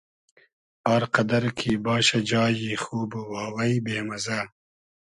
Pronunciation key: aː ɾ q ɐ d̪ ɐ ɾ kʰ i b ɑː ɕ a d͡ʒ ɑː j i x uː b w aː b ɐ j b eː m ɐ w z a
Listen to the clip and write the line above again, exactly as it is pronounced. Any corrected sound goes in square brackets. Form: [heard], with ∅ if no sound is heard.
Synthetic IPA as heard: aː ɾ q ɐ d̪ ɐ ɾ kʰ i b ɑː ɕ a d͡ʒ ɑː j i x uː b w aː [w] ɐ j b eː m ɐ [∅] z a